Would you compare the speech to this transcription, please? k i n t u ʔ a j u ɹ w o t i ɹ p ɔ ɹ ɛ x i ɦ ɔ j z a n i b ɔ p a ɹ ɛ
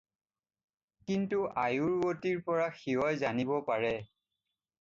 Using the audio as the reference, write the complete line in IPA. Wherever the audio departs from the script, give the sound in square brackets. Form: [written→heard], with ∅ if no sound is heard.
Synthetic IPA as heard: k i n t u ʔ a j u ɹ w o t i ɹ p ɔ ɹ [ɛ→a] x i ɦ ɔ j z a n i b ɔ p a ɹ ɛ